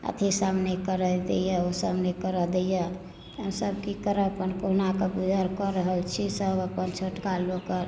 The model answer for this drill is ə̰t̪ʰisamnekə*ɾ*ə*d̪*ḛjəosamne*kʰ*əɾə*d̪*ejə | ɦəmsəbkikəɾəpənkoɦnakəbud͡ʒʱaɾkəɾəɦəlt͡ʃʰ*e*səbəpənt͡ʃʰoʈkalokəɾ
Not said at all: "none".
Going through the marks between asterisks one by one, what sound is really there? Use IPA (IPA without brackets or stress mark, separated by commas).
ɾ, d̪, k, d̪, i